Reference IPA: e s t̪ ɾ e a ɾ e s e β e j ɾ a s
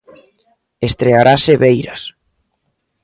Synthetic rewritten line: e s t̪ ɾ e a ɾ a s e β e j ɾ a s